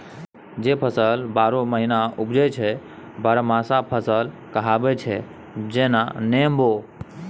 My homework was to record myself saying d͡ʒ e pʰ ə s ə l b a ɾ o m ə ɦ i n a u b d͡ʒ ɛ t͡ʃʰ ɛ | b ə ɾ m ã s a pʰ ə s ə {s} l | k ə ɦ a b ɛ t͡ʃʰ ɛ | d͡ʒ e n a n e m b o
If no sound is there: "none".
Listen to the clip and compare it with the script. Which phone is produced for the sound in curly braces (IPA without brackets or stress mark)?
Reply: none